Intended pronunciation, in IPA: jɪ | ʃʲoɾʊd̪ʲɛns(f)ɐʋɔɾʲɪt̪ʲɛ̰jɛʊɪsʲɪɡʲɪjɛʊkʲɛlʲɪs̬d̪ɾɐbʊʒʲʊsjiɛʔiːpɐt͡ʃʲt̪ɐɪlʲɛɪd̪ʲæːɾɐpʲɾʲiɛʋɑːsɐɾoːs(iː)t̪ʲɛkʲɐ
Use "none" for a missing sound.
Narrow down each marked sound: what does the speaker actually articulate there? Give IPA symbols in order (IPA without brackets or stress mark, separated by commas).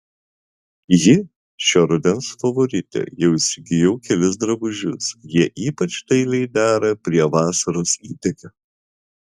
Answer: f, iː